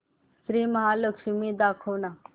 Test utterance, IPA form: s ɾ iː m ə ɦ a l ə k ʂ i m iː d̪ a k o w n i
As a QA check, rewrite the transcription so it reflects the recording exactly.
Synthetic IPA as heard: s ɾ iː m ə ɦ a l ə k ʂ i m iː d̪ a kʰ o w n a

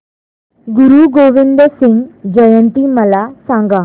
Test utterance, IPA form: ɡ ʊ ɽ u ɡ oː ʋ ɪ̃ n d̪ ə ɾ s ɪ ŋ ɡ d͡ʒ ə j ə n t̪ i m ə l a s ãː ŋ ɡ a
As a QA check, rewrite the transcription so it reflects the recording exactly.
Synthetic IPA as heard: ɡ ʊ ɾ u ɡ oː ʋ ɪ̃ n d̪ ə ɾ s ɪ ŋ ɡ d͡ʒ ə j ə n t̪ i m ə l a s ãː ŋ ɡ a

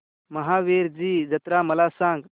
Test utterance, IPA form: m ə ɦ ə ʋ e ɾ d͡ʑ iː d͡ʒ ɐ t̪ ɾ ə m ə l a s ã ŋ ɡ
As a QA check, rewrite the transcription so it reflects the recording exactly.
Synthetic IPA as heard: m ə ɦ a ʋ e ɾ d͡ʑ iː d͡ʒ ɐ t̪ ɾ a m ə l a s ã ŋ ɡ

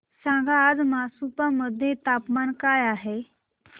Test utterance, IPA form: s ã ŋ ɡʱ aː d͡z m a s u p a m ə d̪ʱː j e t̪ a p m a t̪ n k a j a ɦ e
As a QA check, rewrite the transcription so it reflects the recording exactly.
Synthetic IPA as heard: s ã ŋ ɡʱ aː d͡z m a s u p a m ə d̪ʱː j e t̪ a p m a n k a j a ɦ e

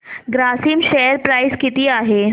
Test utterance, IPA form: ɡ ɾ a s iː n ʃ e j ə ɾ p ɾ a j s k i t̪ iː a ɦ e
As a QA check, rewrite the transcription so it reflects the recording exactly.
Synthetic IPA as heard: ɡ ɾ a s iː m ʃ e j ə ɾ p ɾ a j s k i t̪ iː a ɦ e

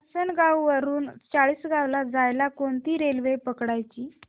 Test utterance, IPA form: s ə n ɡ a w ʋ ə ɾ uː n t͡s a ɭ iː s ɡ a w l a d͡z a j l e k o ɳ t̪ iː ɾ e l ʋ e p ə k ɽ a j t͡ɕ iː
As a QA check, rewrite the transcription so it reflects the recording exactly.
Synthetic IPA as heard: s ə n ɡ a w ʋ ə ɾ uː n t͡s a ɭ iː s ɡ a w l a d͡z a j l a k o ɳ t̪ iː ɾ e l ʋ e p ə k ɽ a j t͡ɕ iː

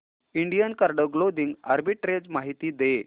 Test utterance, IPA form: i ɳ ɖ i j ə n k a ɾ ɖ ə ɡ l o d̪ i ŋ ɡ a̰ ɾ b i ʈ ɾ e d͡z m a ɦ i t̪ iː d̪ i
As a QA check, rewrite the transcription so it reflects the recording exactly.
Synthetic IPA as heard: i ɳ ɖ i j ə n k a ɾ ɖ ə ɡ l o d̪ i ŋ ɡ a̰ ɾ b i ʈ ɾ e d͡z m a ɦ i t̪ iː d̪ e

